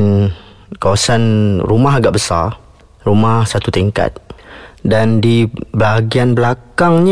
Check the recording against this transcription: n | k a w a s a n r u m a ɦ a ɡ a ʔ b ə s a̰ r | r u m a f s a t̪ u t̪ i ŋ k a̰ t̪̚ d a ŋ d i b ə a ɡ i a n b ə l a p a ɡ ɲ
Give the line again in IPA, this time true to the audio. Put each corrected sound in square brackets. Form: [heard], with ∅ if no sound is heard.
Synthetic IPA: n | k a w a s a n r u m a ɦ a ɡ a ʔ b ə s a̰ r | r u m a [h] s a t̪ u t̪ i ŋ k a̰ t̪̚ d a [n] d i b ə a ɡ i a n b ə l a [k] a [ŋ] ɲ